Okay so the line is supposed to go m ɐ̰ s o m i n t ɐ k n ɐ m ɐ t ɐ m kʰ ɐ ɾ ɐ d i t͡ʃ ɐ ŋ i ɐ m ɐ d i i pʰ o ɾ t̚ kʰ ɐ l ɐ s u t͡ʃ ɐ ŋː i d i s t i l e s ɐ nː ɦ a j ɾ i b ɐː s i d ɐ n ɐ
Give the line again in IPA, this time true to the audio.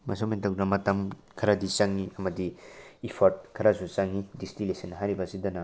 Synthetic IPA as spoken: m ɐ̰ s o m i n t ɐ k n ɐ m ɐ t ɐ m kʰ ɐ ɾ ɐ d i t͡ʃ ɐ ŋ i ɐ m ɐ d i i pʰ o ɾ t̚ kʰ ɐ ɾ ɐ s u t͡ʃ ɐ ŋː i d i s t i l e s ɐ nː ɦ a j ɾ i b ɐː s i d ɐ n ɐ